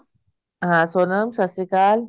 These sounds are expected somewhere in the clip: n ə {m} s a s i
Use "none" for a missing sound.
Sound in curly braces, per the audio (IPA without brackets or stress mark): m